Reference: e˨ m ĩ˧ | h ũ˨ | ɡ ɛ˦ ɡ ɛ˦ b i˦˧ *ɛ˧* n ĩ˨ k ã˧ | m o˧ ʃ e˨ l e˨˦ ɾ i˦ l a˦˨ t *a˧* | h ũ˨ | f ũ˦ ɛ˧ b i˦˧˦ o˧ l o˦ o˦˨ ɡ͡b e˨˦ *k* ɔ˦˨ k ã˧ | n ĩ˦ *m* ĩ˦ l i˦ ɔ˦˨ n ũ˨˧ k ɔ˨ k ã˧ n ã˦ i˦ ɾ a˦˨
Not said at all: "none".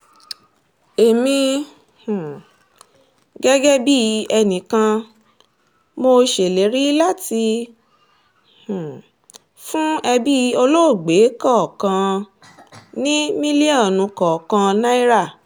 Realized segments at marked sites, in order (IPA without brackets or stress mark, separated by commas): ɛ˧, i˧, k, m